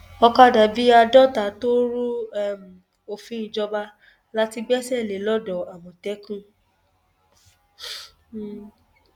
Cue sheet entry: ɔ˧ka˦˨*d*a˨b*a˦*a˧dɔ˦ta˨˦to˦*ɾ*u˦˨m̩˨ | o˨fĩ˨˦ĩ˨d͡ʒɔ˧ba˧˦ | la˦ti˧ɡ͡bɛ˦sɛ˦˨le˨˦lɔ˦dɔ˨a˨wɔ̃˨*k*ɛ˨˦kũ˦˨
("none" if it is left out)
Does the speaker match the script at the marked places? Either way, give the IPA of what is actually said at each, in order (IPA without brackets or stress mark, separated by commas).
d, i˦, ɾ, t